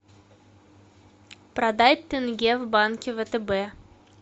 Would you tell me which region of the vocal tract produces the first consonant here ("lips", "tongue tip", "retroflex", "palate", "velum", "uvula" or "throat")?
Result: lips